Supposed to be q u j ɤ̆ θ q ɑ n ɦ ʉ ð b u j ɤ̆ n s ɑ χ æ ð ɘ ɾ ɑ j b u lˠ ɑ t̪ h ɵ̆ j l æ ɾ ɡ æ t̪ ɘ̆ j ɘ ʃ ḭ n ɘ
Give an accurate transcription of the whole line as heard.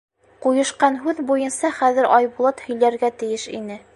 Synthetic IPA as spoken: q u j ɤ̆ ʃ q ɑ n ɦ ʉ ð b u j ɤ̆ n s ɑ χ æ ð ɘ ɾ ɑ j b u lˠ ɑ t̪ h ɵ̆ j l æ ɾ ɡ æ t̪ ɘ̆ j ɘ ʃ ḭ n ɘ